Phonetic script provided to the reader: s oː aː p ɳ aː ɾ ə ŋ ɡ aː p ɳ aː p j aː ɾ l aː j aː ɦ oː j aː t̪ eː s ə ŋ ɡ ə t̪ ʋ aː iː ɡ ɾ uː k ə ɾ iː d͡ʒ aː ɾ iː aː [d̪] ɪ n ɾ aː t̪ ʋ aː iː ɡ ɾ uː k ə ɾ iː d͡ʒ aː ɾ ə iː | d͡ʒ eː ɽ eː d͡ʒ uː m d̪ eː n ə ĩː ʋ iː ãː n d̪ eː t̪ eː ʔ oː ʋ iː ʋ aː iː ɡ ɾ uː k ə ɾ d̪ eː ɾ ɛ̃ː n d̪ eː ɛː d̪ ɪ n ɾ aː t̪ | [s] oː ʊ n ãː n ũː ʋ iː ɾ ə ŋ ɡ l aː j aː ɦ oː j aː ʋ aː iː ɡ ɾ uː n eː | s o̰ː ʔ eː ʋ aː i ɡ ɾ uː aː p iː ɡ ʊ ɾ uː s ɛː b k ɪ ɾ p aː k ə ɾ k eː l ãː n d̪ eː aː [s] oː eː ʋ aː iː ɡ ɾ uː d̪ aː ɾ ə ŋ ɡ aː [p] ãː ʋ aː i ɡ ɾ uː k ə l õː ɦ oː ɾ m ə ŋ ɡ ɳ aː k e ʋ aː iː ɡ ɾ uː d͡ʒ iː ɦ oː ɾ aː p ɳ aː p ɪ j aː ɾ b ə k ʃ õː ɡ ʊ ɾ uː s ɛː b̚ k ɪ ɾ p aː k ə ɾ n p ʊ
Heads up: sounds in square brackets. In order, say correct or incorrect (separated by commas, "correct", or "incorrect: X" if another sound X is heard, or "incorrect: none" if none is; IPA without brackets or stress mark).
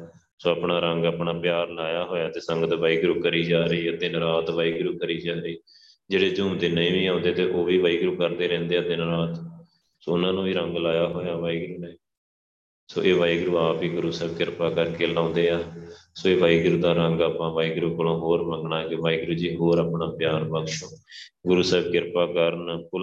correct, correct, correct, correct